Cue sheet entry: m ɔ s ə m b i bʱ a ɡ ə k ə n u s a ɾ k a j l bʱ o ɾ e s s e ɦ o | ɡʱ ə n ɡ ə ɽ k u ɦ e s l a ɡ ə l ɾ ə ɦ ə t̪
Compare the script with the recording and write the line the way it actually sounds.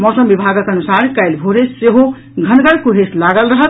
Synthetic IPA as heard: m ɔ s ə m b i bʱ a ɡ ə k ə n u s a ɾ k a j l bʱ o ɾ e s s e ɦ o | ɡʱ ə n ɡ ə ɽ k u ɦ e s l a ɡ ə l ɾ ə ɦ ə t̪